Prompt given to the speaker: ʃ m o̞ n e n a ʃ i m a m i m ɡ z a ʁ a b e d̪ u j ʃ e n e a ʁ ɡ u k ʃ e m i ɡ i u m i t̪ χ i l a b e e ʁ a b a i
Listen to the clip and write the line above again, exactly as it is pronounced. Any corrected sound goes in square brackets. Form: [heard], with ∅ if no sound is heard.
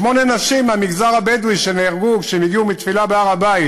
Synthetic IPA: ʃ m o̞ n e n a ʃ i m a m i [∅] ɡ z a ʁ a b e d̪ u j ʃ e n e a ʁ ɡ u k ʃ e m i ɡ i u m i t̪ [f] i l a b e [a] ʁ a b a i